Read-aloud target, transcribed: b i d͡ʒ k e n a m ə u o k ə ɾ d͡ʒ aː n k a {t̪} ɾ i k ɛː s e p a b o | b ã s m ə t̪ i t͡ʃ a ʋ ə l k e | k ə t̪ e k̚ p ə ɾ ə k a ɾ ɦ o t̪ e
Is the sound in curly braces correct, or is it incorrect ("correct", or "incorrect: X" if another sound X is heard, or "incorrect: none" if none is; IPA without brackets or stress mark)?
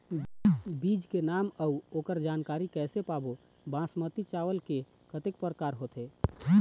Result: incorrect: none